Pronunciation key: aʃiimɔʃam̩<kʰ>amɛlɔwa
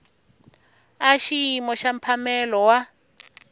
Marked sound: incorrect: pʰ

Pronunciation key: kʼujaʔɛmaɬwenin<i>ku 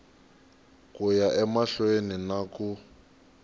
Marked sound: incorrect: a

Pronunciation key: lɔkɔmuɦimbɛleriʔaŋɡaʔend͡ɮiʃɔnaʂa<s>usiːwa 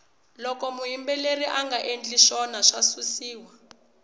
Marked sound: correct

